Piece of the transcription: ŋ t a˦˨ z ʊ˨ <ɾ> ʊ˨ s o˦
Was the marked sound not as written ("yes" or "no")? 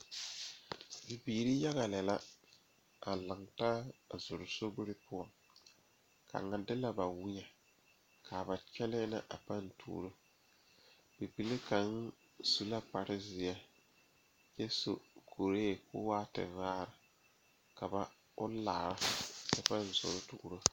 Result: no